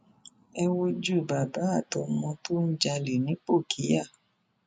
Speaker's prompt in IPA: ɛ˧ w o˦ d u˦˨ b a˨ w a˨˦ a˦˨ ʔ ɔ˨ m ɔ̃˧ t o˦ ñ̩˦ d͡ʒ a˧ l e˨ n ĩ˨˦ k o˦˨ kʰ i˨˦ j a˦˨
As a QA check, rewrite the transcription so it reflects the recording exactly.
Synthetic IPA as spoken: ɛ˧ w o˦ d͡ʒ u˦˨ b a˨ b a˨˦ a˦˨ t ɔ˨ m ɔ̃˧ t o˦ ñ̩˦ d͡ʒ a˧ l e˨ n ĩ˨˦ k͡p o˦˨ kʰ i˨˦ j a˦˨

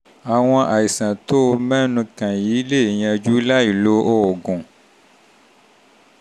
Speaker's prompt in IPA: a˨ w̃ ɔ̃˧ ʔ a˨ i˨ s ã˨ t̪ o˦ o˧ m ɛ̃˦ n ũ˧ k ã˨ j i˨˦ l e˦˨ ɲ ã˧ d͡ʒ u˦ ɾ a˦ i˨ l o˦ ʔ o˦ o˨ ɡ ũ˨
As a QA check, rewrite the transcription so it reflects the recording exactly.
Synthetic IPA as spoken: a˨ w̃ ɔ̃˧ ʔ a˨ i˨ s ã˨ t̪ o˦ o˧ m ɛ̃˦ n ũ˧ k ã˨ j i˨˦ l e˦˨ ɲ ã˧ d͡ʒ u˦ l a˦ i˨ l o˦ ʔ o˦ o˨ ɡ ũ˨

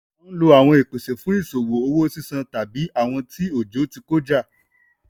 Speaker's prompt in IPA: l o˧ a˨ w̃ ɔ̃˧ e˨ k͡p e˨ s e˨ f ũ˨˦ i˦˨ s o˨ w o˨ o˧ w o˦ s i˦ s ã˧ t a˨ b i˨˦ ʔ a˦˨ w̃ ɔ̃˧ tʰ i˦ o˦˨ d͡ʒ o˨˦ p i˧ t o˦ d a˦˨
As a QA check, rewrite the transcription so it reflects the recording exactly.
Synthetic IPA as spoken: l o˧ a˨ w̃ ɔ̃˧ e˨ k͡p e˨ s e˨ f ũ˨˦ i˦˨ s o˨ w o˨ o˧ w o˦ s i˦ s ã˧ t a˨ b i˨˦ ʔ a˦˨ w̃ ɔ̃˧ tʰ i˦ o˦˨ d͡ʒ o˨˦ t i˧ k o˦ d͡ʒ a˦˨

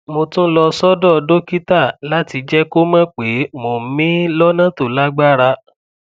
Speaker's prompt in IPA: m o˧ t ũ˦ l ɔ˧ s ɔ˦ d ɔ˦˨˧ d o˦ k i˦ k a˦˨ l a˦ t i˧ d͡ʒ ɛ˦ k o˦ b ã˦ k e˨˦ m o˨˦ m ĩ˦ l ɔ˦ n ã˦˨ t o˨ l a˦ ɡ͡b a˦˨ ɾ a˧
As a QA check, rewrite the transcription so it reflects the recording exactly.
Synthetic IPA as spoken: m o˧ t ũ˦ l ɔ˧ s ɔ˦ d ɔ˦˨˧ d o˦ k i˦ t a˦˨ l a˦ t i˧ d͡ʒ ɛ˦ k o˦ m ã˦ k͡p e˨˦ m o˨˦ m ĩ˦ l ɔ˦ n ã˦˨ t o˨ l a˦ ɡ͡b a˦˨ ɾ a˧

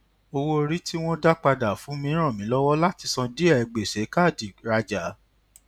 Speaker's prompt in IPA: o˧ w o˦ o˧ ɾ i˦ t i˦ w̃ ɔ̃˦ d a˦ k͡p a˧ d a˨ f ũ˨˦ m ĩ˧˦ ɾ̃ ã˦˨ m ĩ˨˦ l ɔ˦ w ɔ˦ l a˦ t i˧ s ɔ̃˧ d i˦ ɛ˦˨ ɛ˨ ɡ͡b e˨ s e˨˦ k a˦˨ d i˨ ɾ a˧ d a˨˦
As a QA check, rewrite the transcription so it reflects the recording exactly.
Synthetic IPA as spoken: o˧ w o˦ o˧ ɾ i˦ t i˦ w̃ ɔ̃˦ d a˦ k͡p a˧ d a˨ f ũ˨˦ m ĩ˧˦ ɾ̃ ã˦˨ m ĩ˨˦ l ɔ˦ w ɔ˦ l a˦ t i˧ s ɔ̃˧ d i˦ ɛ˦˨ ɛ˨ ɡ͡b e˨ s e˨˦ k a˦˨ d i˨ ɾ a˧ d͡ʒ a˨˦

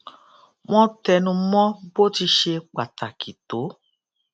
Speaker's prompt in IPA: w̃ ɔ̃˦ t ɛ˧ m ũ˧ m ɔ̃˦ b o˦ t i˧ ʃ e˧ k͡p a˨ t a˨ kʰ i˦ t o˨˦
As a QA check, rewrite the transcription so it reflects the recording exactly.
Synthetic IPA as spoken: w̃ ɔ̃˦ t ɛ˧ n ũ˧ m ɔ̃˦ b o˦ t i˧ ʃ e˧ k͡p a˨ t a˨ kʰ i˨ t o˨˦

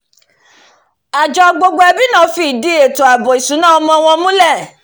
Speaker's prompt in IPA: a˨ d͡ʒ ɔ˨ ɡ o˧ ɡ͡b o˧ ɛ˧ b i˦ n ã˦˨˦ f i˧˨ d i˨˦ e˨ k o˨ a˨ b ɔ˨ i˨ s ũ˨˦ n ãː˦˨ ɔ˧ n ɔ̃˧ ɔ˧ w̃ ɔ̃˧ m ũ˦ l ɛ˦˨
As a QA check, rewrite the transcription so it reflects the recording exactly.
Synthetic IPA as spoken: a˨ d͡ʒ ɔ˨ ɡ͡b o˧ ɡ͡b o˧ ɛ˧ b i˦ n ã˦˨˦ f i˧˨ d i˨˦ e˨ t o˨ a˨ b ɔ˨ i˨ s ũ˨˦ n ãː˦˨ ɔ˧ m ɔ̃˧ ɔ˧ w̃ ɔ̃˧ m ũ˦ l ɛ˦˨

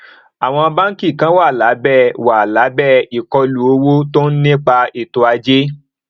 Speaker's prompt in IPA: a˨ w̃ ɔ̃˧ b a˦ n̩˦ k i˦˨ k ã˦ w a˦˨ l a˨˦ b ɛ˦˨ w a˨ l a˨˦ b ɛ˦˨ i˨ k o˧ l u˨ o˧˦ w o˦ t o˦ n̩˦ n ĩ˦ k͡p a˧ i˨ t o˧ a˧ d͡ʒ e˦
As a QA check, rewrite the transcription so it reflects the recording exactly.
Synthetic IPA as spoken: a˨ w̃ ɔ̃˧ b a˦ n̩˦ k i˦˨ k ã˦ w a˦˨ l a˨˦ b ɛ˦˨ w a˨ l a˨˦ b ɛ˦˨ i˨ k ɔ˧ l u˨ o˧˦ w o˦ t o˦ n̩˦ n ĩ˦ k͡p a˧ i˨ t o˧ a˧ d͡ʒ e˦

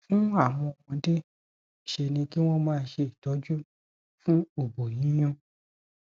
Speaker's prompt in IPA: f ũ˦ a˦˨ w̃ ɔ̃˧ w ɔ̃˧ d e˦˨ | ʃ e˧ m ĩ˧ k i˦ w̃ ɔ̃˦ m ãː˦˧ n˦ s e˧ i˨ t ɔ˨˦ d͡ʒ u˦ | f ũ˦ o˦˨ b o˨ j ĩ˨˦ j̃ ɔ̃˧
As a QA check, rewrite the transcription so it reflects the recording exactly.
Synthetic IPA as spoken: f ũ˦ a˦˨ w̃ ɔ̃˧ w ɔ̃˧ d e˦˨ | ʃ e˧ n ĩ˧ k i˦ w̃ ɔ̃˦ m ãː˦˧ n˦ ʃ e˧ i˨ t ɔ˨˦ d͡ʒ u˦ | f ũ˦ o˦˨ b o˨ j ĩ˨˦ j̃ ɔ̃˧

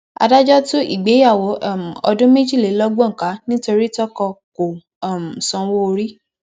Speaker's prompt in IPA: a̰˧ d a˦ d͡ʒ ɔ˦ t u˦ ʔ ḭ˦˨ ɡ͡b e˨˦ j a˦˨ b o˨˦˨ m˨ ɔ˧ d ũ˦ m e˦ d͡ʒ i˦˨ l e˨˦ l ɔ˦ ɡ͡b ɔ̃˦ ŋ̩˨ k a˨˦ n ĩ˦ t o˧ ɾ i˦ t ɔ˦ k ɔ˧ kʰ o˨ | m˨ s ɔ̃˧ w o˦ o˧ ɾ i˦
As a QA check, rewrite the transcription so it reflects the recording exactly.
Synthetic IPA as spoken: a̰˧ d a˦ d͡ʒ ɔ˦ t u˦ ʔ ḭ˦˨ ɡ͡b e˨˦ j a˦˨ w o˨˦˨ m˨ ɔ˧ d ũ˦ m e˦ d͡ʒ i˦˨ l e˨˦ l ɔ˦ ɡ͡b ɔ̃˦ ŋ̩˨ k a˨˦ n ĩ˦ t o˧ ɾ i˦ t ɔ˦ k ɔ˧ k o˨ | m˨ s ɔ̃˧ w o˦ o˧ ɾ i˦

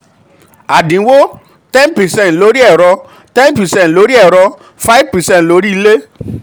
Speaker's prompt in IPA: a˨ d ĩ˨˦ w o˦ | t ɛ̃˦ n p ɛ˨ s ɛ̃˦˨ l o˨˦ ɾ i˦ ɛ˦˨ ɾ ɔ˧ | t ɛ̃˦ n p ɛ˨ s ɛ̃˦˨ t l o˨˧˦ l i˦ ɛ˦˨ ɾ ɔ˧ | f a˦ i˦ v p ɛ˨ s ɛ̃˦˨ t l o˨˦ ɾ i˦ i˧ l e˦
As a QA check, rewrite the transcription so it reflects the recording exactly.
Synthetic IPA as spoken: a˨ d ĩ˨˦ w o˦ | t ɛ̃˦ n p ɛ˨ s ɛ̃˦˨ l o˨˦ ɾ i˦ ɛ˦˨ ɾ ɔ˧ | t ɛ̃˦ n p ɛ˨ s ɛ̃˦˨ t l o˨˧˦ ɾ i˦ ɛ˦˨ ɾ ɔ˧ | f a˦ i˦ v p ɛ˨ s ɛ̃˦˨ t l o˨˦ ɾ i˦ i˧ l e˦

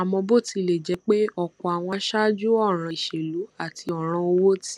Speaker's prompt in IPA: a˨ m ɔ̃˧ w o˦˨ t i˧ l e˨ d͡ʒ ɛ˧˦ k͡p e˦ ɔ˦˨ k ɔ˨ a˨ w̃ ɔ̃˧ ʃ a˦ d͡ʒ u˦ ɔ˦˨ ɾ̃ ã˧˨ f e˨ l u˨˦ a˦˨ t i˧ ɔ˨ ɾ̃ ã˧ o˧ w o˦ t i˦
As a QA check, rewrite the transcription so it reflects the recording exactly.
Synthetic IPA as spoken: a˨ m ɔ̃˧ b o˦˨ t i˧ l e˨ d͡ʒ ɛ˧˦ k͡p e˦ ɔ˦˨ k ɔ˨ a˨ w̃ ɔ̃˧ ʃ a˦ d͡ʒ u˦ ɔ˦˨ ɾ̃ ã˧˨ ʃ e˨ l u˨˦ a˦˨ t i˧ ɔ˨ ɾ̃ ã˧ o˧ w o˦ t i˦

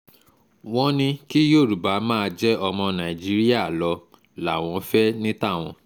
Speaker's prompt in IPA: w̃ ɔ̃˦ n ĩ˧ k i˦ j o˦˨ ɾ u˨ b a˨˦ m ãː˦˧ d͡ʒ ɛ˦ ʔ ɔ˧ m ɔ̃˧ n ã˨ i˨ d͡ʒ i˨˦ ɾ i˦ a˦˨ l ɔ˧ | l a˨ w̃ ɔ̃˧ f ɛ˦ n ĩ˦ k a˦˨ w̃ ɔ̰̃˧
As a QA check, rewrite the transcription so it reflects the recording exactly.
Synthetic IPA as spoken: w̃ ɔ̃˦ n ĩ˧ k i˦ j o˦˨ ɾ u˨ b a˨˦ m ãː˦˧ d͡ʒ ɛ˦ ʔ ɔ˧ m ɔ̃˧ n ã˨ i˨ d͡ʒ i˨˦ ɾ i˦ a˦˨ l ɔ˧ | l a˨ w̃ ɔ̃˧ f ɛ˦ n ĩ˦ t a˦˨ w̃ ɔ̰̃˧

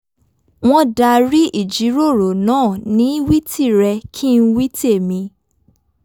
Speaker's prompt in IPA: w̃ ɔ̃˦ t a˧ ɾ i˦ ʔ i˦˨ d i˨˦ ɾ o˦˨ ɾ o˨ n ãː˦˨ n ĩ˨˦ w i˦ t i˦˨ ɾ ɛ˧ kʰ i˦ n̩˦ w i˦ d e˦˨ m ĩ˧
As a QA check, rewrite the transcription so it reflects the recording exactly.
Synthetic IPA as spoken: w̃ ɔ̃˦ d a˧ ɾ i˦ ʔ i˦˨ d͡ʒ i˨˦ ɾ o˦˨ ɾ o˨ n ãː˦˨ n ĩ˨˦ w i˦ t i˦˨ ɾ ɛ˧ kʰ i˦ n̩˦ w i˦ t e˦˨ m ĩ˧

